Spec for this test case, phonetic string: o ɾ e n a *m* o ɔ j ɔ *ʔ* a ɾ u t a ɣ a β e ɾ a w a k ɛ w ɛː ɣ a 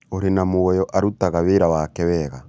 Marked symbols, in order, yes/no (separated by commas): yes, yes